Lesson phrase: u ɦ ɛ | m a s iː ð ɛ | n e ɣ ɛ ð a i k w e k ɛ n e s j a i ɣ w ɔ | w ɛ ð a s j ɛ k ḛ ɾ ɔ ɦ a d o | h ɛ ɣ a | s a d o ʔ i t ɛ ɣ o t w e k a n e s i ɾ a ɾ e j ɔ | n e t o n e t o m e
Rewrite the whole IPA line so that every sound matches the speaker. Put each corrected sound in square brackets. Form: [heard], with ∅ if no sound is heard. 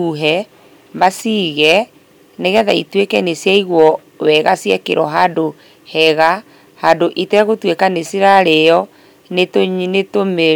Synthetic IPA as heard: u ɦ ɛ | m a s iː [ɣ] ɛ | n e ɣ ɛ ð a i [t] w e k ɛ n e s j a i ɣ w ɔ | w ɛ [ɣ] a s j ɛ k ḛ ɾ ɔ ɦ a d o | h ɛ ɣ a | [h] a d o ʔ i t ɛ ɣ o t w e k a n e s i ɾ a ɾ e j ɔ | n e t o n e t o m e